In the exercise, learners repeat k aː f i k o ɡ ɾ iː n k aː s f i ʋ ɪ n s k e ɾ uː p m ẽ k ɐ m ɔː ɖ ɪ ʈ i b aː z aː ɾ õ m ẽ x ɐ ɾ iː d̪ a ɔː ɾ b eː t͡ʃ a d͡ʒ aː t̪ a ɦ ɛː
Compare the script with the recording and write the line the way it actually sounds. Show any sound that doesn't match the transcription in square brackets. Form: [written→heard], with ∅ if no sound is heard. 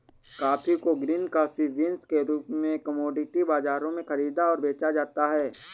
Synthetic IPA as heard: k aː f i k o ɡ ɾ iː n k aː [s→∅] f i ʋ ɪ n s k e ɾ uː p m ẽ k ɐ m ɔː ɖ ɪ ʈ i b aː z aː ɾ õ m ẽ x ɐ ɾ iː d̪ a ɔː ɾ b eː t͡ʃ a d͡ʒ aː t̪ a ɦ ɛː